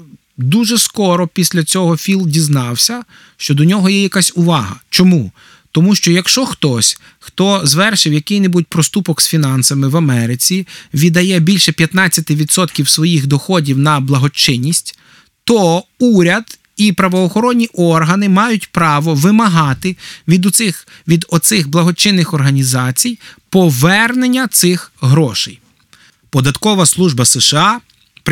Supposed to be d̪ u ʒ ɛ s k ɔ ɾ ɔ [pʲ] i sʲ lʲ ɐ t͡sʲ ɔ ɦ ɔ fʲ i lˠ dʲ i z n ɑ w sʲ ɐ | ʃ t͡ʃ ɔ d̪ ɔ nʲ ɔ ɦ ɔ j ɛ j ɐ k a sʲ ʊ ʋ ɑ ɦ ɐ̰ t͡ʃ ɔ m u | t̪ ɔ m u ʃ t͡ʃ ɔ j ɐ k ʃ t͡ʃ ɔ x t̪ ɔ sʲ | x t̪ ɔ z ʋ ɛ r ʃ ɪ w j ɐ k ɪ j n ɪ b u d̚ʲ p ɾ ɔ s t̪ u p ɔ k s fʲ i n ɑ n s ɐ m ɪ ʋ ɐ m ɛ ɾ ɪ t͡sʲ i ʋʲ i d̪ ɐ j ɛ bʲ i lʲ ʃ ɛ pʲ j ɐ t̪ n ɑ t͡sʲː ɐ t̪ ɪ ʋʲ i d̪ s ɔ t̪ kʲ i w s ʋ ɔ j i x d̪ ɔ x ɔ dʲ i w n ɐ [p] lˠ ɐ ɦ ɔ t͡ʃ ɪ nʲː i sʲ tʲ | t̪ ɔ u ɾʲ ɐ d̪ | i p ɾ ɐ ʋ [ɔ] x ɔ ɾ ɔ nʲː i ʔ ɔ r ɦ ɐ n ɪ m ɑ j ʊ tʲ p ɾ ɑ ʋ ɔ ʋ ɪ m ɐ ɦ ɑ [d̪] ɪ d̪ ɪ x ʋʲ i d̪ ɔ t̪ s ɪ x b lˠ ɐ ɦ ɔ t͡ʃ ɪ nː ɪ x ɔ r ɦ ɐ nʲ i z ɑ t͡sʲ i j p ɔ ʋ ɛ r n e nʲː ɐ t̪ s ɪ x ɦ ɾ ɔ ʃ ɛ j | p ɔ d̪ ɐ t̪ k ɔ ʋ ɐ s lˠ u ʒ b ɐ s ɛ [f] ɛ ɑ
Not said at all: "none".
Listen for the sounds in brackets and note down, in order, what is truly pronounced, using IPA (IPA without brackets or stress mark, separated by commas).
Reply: pʲ, b, ɔː, t̪, ʃ